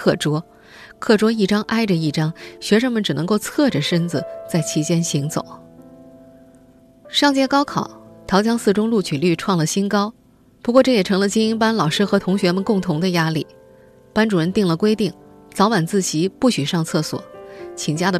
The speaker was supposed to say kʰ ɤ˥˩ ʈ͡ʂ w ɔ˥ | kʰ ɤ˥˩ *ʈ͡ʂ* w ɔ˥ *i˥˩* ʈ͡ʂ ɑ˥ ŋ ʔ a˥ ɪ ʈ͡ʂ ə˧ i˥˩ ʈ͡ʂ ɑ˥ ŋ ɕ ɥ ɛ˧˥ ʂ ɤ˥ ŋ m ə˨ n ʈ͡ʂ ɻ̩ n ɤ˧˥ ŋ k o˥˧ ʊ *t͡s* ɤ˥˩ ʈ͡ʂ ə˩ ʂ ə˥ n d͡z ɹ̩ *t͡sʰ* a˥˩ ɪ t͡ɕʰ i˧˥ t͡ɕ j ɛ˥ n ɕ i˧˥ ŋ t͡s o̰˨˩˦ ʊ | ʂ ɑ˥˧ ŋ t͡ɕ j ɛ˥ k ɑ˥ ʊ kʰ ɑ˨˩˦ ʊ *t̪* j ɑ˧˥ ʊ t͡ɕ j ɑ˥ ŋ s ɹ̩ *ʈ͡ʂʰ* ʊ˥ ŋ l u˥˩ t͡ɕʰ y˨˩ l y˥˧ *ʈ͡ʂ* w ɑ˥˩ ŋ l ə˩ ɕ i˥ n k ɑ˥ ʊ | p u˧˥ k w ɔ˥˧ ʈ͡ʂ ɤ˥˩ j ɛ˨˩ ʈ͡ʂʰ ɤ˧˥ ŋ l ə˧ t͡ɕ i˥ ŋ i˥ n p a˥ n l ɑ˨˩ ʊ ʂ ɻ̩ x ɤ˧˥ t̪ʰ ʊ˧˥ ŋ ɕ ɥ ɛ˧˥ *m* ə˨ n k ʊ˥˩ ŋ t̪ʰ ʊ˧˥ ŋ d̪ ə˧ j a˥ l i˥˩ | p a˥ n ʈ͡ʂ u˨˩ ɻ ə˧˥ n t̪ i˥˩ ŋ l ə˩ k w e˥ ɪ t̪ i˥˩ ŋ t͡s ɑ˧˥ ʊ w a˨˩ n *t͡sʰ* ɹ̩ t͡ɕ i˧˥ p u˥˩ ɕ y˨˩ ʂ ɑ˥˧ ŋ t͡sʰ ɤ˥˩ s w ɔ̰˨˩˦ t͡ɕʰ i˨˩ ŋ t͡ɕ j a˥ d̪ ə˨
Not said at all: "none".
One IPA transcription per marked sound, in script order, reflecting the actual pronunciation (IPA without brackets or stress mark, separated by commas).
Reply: ʈ͡ʂ, i˥˩, t͡sʰ, t͡s, t̪ʰ, ʈ͡ʂ, ʈ͡ʂʰ, m, t͡s